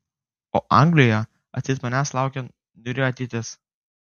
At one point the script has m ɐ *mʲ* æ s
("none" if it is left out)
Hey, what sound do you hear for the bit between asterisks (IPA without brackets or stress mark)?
nʲ